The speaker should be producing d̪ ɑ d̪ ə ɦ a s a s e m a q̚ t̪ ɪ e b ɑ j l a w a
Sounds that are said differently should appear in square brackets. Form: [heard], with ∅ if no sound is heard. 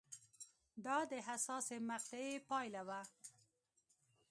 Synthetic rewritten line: d̪ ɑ d̪ ə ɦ a s [ɑ] s e m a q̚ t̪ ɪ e [p] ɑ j l a w a